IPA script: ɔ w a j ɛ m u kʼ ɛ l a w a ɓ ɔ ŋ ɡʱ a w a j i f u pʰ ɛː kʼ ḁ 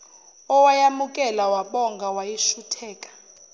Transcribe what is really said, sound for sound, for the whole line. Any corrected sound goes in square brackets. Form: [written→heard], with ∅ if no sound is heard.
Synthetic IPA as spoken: ɔ w a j [ɛ→a] m u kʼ ɛ l a w a ɓ ɔ ŋ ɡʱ a w a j i [f→ʃ] u [pʰ→tʰ] ɛː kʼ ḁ